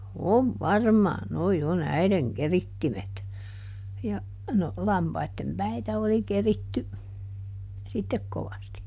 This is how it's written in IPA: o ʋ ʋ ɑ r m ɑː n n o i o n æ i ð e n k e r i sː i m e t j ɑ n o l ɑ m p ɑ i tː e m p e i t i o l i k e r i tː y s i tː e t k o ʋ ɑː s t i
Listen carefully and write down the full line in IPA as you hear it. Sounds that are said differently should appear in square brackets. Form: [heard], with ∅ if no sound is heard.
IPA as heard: o ʋ ʋ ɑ r m ɑː n n o i o n æ i ð e [ŋ] k e r i [tː] i m e t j ɑ n o l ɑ m p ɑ i tː e m p [æ] i t [æ] o l i k e r i tː y s i tː e [k] k o ʋ [ɑ] s t i